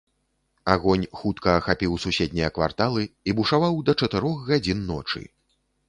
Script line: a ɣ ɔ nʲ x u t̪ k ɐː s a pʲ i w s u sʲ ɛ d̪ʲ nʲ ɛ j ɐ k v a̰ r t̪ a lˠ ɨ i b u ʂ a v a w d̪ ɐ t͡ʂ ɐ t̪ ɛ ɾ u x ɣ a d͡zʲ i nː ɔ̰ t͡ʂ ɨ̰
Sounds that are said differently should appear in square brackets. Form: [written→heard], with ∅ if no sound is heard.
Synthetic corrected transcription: a ɣ ɔ nʲ x u t̪ k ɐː [s→x] a pʲ i w s u sʲ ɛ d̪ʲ nʲ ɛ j ɐ k v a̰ r t̪ a lˠ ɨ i b u ʂ a v a w d̪ ɐ t͡ʂ ɐ t̪ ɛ ɾ [u→ɔ] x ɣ a d͡zʲ i nː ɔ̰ t͡ʂ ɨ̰